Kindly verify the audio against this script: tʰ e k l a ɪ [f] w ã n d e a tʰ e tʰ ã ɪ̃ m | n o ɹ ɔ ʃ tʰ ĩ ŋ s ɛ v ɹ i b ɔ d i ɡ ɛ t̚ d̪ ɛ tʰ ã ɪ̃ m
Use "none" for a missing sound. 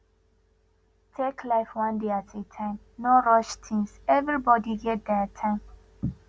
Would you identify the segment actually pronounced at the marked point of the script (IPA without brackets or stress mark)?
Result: f